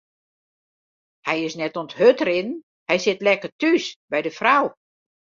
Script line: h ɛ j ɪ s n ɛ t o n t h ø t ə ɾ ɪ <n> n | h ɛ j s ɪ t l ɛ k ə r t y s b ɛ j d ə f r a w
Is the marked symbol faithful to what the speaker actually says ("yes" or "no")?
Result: yes